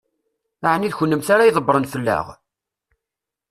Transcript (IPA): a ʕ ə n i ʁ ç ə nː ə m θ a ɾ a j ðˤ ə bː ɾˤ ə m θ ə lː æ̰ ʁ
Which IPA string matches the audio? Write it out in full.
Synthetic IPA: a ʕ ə n i ð ç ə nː ə m θ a ɾ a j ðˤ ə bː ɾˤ ə n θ ə lː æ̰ ʁ